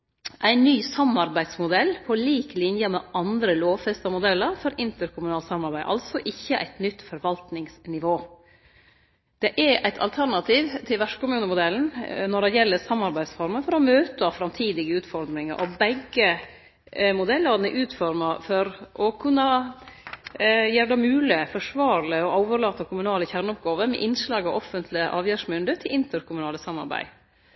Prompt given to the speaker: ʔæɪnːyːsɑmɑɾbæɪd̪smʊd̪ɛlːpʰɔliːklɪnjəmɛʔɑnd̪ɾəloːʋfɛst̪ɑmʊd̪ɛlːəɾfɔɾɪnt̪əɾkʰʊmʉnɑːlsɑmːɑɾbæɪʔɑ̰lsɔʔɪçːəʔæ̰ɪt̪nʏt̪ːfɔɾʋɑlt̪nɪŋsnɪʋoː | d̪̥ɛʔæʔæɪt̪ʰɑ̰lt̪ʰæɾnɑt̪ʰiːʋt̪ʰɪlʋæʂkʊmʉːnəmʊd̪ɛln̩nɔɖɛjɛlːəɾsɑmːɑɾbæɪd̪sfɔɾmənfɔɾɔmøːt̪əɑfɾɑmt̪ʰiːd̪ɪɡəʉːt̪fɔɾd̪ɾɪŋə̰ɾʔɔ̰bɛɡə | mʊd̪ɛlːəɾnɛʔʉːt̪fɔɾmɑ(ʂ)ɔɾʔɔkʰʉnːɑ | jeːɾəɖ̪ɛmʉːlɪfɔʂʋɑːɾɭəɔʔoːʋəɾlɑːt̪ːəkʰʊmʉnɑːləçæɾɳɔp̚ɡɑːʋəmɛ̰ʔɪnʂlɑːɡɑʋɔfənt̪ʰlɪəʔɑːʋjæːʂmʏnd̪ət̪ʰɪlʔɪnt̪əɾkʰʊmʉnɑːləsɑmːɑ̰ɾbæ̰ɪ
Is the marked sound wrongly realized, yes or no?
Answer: yes